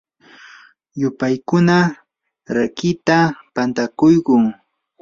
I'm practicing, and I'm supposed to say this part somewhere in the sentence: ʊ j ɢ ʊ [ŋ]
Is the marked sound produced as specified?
yes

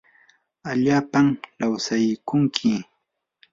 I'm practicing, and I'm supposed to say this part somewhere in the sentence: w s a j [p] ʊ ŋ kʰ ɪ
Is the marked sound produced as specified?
no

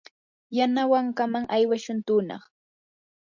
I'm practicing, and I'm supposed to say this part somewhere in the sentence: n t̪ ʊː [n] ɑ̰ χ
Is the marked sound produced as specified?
yes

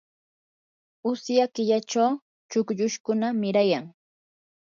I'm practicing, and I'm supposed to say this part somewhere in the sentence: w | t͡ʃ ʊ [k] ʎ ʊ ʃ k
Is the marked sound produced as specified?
yes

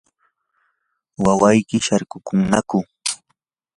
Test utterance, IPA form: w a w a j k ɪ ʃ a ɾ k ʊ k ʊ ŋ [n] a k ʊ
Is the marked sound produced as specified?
yes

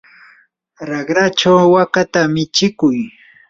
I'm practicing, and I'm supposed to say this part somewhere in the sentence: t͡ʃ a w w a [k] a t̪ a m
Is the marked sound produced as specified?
yes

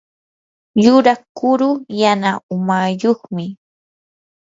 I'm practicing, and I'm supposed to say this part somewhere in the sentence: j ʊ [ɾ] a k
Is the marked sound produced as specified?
yes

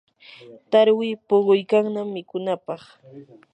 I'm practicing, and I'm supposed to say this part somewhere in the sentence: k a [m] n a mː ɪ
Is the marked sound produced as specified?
no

